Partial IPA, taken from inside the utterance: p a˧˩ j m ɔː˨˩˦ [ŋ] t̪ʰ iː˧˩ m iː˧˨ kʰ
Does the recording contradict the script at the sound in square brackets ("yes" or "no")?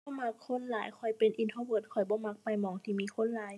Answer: no